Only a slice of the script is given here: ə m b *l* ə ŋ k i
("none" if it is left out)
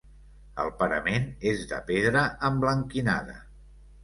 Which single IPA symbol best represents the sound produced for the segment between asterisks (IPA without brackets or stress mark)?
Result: l